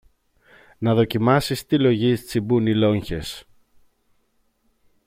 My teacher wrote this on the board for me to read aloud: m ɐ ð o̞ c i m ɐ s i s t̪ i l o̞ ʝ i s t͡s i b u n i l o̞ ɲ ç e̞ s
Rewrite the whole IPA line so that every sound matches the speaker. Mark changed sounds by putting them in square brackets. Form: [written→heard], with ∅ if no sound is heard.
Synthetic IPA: [m→n] ɐ ð o̞ c i m ɐ s i s t̪ i l o̞ ʝ i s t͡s i b u n i l o̞ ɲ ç e̞ s